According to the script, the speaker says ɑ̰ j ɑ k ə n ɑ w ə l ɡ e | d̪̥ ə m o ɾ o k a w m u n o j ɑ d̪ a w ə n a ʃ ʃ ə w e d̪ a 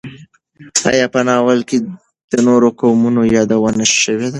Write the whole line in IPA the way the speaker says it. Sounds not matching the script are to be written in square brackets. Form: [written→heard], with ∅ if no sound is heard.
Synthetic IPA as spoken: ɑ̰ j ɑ [k→p] ə n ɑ w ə l [ɡ→k] e | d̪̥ ə [m→n] o ɾ o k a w m u n o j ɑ d̪ a w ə n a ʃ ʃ ə w e d̪ a